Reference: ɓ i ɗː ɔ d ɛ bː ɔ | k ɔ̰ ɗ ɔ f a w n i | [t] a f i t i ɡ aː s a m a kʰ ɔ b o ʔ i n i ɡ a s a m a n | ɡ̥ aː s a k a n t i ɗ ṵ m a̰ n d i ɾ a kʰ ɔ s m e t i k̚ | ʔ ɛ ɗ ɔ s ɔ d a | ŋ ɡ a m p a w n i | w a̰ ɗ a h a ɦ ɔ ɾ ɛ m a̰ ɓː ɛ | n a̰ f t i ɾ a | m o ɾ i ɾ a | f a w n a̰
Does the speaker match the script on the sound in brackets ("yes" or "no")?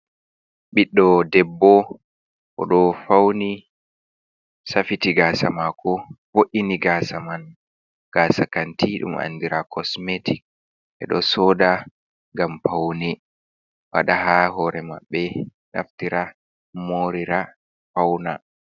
no